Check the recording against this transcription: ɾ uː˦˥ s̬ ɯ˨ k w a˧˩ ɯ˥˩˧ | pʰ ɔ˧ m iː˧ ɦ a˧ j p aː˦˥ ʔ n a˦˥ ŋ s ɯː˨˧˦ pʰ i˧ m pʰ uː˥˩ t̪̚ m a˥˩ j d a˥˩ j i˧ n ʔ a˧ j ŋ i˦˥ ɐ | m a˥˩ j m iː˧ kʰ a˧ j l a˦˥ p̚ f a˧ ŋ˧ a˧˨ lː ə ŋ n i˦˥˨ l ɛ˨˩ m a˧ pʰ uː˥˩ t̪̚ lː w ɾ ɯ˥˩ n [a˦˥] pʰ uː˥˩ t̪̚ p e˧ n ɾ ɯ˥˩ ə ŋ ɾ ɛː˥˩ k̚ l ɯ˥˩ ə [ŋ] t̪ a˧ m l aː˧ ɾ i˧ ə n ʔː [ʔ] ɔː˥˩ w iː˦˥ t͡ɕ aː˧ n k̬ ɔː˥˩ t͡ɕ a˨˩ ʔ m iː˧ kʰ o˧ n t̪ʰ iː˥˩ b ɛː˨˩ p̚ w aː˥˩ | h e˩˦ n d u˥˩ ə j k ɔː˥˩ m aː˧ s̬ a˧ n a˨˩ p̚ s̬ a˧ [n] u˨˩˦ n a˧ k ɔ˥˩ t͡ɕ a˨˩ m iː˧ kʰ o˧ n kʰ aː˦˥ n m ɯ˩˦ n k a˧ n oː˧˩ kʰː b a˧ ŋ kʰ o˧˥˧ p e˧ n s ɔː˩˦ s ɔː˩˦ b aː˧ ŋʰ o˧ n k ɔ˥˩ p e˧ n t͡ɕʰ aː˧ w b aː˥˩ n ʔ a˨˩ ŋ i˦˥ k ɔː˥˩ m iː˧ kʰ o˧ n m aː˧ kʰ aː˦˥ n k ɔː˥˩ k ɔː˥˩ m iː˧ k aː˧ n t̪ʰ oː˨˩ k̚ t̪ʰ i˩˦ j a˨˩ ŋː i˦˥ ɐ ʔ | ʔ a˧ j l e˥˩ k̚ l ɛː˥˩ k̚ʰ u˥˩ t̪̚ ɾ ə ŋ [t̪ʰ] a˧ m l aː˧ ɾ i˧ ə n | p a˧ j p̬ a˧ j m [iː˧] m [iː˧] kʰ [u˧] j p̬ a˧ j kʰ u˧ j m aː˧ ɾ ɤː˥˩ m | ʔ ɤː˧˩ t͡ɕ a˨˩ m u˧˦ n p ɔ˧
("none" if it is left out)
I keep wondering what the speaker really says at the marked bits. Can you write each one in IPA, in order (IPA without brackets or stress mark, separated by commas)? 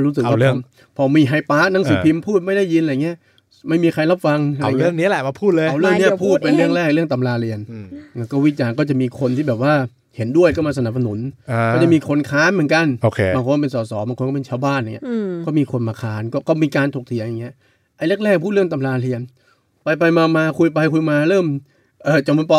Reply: i˦˥, ŋ, k, n, t̪, aː˧, aː˧, u˧